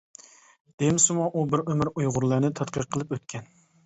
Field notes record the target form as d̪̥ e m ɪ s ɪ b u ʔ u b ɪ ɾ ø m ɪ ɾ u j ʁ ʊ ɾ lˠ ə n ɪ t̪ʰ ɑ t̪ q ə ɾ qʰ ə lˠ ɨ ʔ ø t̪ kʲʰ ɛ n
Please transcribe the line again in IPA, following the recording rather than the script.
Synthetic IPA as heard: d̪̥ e m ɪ s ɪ m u ʔ u b ɪ ɾ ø m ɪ ɾ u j ʁ ʊ ɾ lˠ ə n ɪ t̪ʰ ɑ t̪ q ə ɾ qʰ ə lˠ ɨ p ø t̪ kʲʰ ɛ n